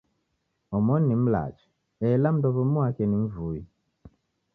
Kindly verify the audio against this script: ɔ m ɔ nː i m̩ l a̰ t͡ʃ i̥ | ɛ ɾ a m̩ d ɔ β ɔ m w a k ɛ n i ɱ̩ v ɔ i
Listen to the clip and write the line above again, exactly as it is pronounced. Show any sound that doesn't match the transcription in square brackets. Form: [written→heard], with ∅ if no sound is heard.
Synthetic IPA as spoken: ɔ m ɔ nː i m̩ l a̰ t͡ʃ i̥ | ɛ [ɾ→l] a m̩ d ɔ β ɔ m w a k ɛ n i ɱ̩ v [ɔ→u] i